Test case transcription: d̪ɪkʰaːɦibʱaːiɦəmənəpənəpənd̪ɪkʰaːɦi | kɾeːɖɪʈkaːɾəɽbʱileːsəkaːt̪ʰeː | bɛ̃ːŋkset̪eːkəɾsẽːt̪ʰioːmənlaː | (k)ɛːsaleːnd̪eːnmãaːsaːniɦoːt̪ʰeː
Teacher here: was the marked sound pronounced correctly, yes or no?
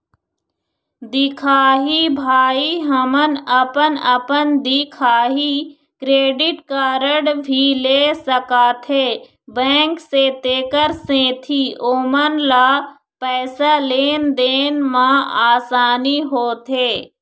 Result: no